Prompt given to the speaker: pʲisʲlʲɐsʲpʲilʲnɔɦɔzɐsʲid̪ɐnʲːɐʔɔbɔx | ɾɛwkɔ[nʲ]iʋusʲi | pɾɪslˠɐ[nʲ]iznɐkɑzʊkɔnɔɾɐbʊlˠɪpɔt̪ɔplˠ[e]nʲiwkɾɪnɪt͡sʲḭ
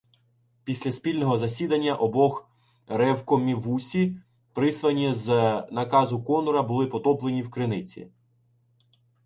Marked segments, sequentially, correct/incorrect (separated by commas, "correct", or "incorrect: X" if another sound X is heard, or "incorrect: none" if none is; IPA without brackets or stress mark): incorrect: mʲ, correct, correct